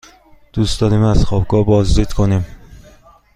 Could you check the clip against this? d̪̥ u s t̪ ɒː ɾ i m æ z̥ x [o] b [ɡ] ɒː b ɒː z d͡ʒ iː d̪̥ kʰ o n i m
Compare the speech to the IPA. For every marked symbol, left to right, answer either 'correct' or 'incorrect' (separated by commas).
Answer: incorrect, correct